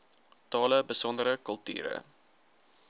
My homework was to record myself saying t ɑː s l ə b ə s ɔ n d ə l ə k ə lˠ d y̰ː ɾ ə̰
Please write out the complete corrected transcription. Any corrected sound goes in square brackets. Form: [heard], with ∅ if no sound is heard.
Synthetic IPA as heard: t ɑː [∅] l ə b ə s ɔ n d ə [ɾ] ə k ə lˠ [t] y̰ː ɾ ə̰